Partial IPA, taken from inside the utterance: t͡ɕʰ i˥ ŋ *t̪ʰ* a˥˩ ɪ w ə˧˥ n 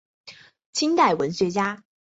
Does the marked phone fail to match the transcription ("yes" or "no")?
yes